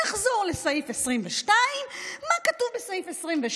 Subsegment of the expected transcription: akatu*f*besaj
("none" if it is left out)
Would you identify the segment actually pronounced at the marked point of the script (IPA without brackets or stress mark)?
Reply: v